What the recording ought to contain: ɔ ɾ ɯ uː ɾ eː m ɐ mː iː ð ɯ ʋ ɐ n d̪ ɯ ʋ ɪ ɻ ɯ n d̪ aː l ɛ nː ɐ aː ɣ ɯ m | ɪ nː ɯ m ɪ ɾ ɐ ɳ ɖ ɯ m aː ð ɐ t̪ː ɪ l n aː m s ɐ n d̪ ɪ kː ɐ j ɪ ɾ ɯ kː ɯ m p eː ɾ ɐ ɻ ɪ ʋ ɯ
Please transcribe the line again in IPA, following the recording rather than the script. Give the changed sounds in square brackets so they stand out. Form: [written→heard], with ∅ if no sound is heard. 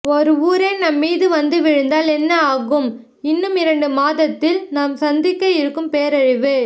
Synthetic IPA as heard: ɔ ɾ ɯ uː ɾ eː [m→n] ɐ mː iː ð ɯ ʋ ɐ n d̪ ɯ ʋ ɪ ɻ ɯ n d̪ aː l ɛ nː ɐ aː ɣ ɯ m | ɪ nː ɯ m ɪ ɾ ɐ ɳ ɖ ɯ m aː ð ɐ t̪ː ɪ l n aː m s ɐ n d̪ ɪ kː ɐ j ɪ ɾ ɯ kː ɯ m p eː ɾ ɐ ɻ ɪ ʋ ɯ